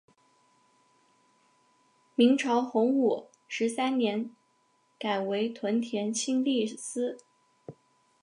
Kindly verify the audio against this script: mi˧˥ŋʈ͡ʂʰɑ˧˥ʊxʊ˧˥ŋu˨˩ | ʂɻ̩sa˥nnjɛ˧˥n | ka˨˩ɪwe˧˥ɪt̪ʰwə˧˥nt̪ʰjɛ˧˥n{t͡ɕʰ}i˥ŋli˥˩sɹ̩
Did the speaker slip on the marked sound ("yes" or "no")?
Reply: no